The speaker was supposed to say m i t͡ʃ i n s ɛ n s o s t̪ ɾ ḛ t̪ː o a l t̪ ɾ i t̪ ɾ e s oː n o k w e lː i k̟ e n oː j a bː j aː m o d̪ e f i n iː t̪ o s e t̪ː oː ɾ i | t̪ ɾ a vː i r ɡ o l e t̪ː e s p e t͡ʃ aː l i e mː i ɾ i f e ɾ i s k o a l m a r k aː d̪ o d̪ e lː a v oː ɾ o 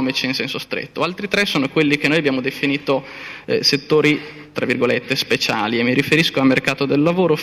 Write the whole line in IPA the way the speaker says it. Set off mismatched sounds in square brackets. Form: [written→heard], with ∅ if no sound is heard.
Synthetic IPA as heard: m i t͡ʃ i n s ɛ n s o s t̪ ɾ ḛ t̪ː o a l t̪ ɾ i t̪ ɾ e s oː n o k w e lː i k̟ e n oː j a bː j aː m o d̪ e f i n iː t̪ o s e t̪ː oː ɾ i | t̪ ɾ a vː i r ɡ o l e t̪ː e s p e t͡ʃ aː l i e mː i ɾ i f e ɾ i s k o a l m [a→e] r k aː [d̪→t̪] o d̪ e lː a v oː ɾ o